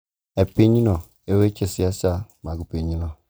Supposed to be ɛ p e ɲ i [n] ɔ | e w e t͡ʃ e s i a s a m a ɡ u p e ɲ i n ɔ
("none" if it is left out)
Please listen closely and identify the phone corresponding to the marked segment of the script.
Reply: n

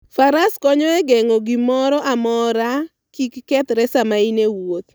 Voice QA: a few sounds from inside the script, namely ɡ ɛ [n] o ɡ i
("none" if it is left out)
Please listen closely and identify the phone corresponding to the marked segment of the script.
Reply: ŋ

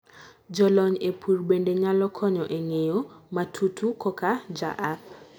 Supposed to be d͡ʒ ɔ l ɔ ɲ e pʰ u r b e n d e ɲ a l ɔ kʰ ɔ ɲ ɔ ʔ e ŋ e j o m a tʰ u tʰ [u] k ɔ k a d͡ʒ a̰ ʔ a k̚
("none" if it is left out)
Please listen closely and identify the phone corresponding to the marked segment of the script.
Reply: u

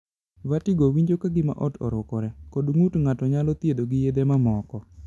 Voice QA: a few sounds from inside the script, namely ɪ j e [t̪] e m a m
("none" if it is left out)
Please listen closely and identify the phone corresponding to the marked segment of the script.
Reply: d̪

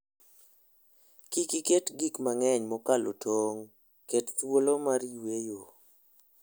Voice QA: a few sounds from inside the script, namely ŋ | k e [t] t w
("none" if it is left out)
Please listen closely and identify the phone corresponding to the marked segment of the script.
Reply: t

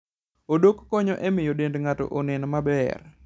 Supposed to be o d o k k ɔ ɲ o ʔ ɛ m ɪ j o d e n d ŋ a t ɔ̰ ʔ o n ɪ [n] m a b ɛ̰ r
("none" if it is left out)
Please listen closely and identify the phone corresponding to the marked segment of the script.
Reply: n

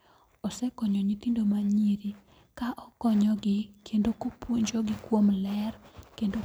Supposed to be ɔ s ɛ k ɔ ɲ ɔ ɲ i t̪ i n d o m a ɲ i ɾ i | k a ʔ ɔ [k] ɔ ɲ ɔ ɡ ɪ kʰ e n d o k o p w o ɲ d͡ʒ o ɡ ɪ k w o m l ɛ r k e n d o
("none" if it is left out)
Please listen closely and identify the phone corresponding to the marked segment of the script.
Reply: k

